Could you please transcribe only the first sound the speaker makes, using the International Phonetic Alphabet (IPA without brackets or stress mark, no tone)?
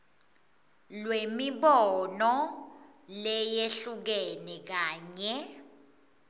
l